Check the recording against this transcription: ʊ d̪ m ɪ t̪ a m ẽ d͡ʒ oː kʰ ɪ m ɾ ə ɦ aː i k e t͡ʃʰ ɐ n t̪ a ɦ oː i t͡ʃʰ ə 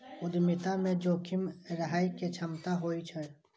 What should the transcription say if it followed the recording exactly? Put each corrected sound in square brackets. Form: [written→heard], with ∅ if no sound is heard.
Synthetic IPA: ʊ d̪ m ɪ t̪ a m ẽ d͡ʒ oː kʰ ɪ m ɾ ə ɦ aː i k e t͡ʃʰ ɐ [n→m] t̪ a ɦ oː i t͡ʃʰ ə